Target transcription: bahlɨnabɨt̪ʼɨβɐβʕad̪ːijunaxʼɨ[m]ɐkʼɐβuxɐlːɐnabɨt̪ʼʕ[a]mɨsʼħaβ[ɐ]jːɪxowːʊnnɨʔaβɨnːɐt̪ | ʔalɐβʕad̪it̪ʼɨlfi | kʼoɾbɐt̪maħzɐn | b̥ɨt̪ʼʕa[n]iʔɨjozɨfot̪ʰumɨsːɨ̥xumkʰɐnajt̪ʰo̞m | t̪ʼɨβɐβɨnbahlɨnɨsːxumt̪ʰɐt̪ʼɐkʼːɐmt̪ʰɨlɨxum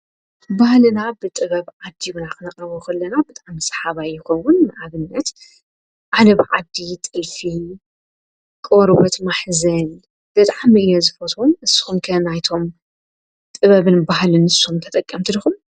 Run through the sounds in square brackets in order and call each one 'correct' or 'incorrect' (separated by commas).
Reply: incorrect, correct, incorrect, incorrect